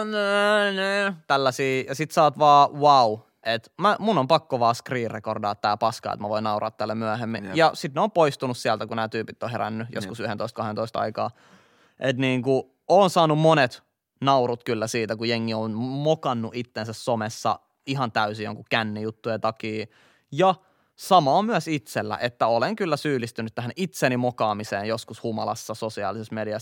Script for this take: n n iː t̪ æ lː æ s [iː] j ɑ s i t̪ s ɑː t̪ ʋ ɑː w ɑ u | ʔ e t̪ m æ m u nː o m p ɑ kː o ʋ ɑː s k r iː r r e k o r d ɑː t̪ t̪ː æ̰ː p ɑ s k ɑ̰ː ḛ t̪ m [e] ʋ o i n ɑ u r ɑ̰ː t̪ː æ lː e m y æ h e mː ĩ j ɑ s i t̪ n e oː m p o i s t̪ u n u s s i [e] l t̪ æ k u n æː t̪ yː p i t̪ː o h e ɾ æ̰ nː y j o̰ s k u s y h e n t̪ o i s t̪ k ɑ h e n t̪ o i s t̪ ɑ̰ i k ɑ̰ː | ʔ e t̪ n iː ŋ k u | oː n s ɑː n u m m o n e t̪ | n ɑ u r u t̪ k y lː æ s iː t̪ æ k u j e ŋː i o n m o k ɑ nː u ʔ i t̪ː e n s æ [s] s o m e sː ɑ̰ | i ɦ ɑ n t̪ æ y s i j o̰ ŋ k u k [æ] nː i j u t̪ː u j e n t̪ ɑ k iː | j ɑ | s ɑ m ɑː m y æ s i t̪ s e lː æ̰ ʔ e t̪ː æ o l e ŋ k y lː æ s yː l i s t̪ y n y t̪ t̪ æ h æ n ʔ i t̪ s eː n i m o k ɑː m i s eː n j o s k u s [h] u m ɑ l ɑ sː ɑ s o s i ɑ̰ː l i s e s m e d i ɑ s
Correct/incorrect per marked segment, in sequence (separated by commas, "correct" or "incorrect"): correct, incorrect, incorrect, correct, correct, correct